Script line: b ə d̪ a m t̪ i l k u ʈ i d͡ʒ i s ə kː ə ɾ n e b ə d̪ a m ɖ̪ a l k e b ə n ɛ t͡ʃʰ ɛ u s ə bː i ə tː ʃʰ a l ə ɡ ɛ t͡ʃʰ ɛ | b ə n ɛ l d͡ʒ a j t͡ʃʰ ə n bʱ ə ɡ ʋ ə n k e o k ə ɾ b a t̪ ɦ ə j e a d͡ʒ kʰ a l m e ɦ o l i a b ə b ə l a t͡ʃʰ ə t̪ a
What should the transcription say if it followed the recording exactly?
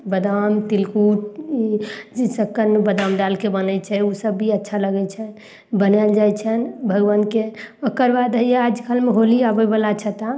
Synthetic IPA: b ə d̪ a m t̪ i l k u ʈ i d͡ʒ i s ə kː ə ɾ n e b ə d̪ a m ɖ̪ a l k e b ə n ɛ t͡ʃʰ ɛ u s ə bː i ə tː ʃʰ a l ə ɡ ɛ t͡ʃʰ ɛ | b ə n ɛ l d͡ʒ a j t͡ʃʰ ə n bʱ ə ɡ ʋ ə n k e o k ə ɾ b a d̪ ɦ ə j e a d͡ʒ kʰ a l m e ɦ o l i a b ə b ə l a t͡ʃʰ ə t̪ a